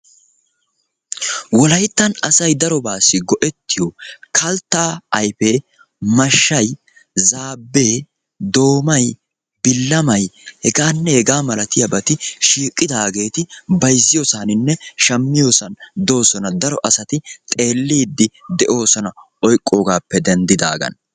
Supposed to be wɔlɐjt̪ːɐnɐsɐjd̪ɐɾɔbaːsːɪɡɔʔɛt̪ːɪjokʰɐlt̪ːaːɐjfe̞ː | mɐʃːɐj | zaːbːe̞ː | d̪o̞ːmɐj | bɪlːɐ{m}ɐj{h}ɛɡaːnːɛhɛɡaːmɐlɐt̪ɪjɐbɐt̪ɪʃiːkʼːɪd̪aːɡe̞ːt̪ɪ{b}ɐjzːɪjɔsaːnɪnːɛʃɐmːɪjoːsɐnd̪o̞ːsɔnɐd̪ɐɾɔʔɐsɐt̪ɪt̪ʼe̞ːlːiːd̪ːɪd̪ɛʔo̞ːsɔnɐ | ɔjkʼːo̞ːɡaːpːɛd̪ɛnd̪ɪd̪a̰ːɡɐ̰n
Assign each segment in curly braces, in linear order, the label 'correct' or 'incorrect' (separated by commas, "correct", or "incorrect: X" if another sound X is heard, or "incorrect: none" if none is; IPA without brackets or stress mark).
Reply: correct, correct, correct